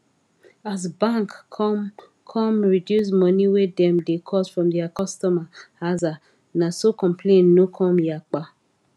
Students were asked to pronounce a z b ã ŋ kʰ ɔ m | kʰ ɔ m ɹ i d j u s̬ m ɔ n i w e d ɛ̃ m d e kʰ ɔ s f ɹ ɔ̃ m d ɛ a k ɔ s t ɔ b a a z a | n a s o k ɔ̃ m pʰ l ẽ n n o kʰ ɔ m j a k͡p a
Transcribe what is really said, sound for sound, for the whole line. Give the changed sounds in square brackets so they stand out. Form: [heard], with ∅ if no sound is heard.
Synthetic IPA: a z b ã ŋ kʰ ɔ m | kʰ ɔ m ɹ i d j u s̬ m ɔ n i w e d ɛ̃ m d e kʰ ɔ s f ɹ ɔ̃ m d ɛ a k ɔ s t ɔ [m] a a z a | n a s o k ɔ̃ m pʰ l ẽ n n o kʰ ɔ m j a k͡p a